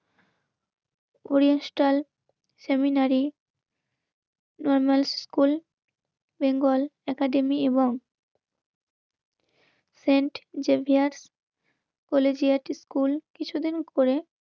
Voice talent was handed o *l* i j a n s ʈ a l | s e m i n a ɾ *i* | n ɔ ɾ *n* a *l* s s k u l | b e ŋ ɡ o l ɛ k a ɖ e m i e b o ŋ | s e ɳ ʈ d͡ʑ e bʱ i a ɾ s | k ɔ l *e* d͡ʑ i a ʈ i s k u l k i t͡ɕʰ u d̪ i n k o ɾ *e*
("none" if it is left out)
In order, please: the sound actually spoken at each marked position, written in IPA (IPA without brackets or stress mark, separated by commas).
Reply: ɾ, i, m, l, e, e